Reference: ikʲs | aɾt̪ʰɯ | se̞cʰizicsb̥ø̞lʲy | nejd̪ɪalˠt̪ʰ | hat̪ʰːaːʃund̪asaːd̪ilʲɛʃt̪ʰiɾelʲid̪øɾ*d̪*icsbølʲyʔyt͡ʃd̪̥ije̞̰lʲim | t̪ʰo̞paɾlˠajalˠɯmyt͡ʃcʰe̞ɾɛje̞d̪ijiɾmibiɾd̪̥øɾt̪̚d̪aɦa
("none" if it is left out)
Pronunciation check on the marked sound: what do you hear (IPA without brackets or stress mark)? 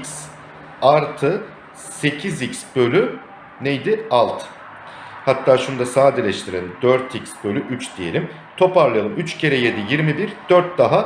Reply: t̪